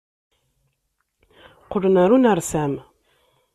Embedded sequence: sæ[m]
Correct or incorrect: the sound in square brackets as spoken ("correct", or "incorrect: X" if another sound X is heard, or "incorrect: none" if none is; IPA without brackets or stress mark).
correct